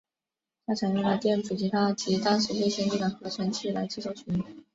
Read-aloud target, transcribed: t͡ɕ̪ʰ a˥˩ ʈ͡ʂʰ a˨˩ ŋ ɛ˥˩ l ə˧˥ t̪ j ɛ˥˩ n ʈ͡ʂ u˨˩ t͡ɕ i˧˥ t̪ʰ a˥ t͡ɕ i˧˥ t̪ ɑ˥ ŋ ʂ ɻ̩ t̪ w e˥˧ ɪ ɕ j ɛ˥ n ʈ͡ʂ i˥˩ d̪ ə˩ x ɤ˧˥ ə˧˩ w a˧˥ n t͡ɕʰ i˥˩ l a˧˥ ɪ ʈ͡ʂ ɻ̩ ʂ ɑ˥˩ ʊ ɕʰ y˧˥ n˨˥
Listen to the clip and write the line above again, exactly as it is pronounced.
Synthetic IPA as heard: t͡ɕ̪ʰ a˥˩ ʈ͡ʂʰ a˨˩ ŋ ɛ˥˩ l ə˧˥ t̪ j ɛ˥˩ n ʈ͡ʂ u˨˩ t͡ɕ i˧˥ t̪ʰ a˥ t͡ɕ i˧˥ t̪ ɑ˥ ŋ ʂ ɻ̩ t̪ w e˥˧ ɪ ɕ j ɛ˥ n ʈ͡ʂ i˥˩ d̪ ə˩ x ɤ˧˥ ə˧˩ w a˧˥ n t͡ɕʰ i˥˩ l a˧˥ ɪ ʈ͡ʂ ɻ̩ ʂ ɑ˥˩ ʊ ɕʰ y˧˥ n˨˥